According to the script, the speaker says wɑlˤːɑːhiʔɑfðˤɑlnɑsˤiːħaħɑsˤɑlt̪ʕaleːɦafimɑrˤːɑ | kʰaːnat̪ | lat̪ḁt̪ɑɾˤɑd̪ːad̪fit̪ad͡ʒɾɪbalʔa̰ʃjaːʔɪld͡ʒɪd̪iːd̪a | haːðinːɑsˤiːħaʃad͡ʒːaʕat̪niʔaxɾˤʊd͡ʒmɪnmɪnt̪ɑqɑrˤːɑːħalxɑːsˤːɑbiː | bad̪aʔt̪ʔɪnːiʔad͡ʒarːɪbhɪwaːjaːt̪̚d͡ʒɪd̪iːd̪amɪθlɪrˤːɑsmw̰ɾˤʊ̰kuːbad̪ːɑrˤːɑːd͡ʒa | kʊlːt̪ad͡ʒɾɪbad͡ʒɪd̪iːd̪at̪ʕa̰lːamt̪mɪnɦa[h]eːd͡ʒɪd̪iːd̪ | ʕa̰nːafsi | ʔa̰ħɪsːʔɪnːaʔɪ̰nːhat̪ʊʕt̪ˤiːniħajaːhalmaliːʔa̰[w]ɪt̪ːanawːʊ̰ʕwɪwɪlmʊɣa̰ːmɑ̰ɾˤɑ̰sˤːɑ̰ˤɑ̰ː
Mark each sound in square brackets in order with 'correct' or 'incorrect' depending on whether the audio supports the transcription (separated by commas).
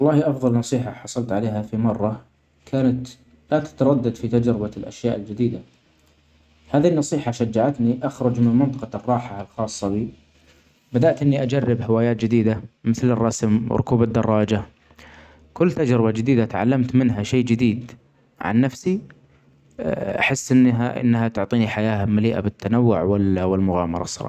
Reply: incorrect, incorrect